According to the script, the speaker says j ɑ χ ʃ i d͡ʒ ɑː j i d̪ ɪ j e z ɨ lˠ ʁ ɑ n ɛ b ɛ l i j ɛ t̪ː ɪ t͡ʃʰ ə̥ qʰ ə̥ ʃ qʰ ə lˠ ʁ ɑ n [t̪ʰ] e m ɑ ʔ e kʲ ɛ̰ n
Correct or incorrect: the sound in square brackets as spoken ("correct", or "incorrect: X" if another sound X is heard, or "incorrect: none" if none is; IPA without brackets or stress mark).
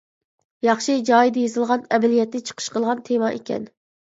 correct